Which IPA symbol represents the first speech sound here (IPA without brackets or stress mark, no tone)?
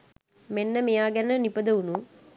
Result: m